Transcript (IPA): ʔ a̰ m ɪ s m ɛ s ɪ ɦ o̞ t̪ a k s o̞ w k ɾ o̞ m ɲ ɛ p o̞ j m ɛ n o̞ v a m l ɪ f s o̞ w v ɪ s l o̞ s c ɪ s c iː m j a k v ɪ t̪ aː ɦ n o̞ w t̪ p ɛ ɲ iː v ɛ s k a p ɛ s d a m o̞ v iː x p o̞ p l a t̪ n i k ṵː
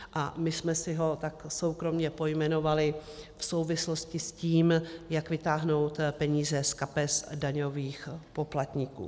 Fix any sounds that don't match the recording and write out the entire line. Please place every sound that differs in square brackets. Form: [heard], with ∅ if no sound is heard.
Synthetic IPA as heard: ʔ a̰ m ɪ s m ɛ s ɪ ɦ o̞ t̪ a k s o̞ w k ɾ o̞ m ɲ ɛ p o̞ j m ɛ n o̞ v a [∅] l ɪ f s o̞ w v ɪ s l o̞ s c ɪ s c iː m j a k v ɪ t̪ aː ɦ n o̞ w t̪ p ɛ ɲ iː [z] ɛ s k a p ɛ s d a [ɲ] o̞ v iː x p o̞ p l a t̪ [ɲ] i k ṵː